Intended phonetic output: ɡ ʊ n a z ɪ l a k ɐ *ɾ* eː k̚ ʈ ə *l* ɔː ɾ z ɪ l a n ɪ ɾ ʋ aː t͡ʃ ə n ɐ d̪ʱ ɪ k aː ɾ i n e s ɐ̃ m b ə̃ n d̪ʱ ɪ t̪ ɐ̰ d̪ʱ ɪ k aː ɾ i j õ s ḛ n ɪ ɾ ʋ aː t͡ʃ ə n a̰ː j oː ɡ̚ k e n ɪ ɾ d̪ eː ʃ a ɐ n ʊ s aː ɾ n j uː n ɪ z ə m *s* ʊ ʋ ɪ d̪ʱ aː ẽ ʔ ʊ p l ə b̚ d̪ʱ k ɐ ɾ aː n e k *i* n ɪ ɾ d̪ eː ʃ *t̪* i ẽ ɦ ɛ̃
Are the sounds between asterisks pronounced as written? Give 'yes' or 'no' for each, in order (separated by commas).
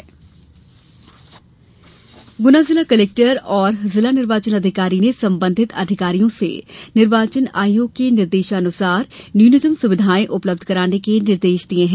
no, no, yes, no, no